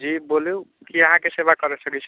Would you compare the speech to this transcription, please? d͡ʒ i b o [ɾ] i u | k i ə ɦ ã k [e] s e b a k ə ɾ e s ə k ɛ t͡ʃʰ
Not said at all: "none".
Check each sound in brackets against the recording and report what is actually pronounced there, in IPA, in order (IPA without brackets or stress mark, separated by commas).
l, e